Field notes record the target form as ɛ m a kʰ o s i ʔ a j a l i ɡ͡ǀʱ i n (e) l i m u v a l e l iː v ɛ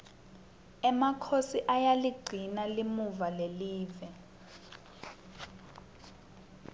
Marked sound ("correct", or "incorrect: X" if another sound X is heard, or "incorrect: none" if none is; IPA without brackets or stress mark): incorrect: a